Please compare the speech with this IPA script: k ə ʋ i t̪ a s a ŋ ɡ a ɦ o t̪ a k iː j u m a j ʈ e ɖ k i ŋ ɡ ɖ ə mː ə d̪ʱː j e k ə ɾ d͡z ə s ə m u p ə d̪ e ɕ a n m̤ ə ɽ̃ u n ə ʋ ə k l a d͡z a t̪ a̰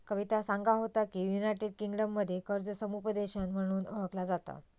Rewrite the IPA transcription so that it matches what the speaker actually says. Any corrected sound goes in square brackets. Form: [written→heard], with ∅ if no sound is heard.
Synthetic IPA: k ə ʋ i t̪ a s a ŋ ɡ a ɦ o t̪ a k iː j u [m→n] a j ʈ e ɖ k i ŋ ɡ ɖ ə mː ə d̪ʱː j e k ə ɾ d͡z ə s ə m u p ə d̪ e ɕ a n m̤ ə ɽ̃ [u→uː] n ə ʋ ə k l a d͡z a t̪ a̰